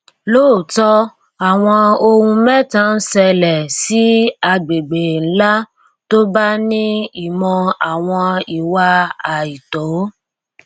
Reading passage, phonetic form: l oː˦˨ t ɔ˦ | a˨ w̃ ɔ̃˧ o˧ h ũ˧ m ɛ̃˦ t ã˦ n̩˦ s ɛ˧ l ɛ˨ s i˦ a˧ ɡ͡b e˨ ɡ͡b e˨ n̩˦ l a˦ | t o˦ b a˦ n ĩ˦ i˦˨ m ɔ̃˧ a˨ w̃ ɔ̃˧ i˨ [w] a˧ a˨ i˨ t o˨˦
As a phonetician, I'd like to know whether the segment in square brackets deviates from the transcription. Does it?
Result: no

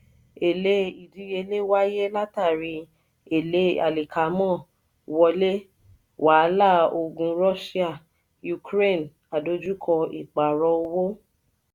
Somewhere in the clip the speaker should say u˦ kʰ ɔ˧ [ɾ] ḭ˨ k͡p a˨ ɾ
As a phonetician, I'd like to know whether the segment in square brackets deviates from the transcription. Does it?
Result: yes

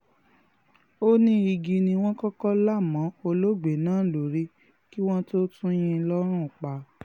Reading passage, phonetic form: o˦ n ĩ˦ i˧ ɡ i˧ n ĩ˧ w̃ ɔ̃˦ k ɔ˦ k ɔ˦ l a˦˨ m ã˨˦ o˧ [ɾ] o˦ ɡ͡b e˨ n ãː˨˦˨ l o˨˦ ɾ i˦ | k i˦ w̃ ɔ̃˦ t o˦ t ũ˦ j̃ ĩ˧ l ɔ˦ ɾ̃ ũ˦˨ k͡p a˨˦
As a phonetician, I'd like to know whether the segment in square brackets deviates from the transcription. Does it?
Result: yes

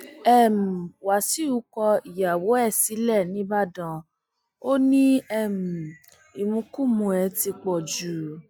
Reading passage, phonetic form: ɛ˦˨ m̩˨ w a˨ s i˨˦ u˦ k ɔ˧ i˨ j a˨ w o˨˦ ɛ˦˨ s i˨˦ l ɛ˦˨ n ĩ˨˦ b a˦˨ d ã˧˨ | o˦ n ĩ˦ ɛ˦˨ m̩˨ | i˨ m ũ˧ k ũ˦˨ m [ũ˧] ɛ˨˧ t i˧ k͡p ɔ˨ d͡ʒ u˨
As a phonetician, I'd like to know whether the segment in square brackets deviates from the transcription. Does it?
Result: no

